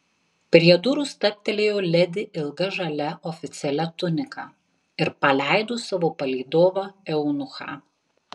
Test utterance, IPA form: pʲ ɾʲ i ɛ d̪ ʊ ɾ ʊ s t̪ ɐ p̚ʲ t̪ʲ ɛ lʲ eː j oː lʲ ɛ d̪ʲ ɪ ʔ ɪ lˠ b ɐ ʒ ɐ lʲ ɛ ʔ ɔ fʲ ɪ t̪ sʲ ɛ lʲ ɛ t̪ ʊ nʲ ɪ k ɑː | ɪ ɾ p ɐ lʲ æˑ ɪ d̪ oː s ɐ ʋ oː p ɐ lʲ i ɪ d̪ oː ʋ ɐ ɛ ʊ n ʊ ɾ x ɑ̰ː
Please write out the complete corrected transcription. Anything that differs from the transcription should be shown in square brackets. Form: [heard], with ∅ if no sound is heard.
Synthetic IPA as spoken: pʲ ɾʲ i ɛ d̪ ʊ ɾ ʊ s t̪ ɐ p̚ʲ t̪ʲ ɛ lʲ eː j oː lʲ ɛ d̪ʲ ɪ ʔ ɪ lˠ [ɡ] ɐ ʒ ɐ lʲ ɛ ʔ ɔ fʲ ɪ t̪ sʲ ɛ lʲ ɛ t̪ ʊ nʲ ɪ k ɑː | ɪ ɾ p ɐ lʲ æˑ ɪ d̪ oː s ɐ ʋ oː p ɐ lʲ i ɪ d̪ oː ʋ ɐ ɛ ʊ n ʊ [∅] x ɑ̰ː